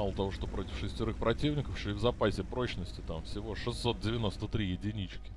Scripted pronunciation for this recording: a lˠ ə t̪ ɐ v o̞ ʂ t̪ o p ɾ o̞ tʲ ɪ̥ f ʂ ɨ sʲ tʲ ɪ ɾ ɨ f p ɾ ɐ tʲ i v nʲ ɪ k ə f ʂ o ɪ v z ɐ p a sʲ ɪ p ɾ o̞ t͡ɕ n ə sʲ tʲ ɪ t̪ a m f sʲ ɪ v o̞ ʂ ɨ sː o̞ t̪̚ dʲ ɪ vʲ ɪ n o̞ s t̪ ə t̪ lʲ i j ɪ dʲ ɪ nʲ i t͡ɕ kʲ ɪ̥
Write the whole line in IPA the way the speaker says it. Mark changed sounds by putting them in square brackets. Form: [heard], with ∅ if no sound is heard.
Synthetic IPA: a lˠ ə t̪ ɐ v o̞ ʂ t̪ o p ɾ o̞ tʲ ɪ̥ f ʂ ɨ sʲ tʲ ɪ ɾ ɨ [x] p ɾ ɐ tʲ i v nʲ ɪ k ə f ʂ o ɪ v z ɐ p a sʲ ɪ p ɾ o̞ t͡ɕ n ə sʲ tʲ ɪ t̪ a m f sʲ ɪ v o̞ ʂ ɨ sː o̞ t̪̚ dʲ ɪ vʲ ɪ n o̞ s t̪ ə t̪ [ɾʲ] i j ɪ dʲ ɪ nʲ i t͡ɕ kʲ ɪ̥